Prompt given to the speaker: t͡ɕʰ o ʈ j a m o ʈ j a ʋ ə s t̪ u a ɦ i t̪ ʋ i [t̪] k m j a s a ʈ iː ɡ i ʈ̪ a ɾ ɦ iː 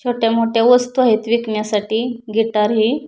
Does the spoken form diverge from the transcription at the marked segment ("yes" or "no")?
yes